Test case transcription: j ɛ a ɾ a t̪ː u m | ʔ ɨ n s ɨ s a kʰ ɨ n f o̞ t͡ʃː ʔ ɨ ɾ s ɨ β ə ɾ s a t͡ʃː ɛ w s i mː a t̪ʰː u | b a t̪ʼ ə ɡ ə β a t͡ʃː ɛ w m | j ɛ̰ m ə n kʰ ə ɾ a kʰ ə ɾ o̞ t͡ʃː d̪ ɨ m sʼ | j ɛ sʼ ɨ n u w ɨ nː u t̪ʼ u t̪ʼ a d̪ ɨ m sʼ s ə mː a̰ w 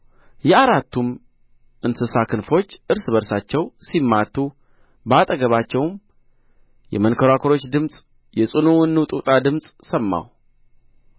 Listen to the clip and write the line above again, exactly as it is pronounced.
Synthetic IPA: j ɛ a ɾ a t̪ː u m | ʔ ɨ n s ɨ s a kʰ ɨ n f o̞ t͡ʃː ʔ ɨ ɾ s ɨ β ə ɾ s a t͡ʃː ɛ w s i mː a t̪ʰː u | b a t̪ʼ ə ɡ ə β a t͡ʃː ɛ w m | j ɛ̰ m ə n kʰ ə ɾ a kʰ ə ɾ o̞ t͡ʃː d̪ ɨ m sʼ | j ɛ sʼ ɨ n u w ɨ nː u t̪ʼ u t̪ʼ a d̪ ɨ m sʼ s ə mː a̰ w